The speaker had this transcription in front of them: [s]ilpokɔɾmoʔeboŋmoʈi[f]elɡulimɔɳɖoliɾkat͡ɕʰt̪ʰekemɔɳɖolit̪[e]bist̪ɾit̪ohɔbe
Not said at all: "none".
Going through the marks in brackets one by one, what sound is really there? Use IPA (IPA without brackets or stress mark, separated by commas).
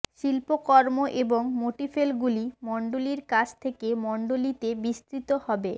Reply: ʃ, f, e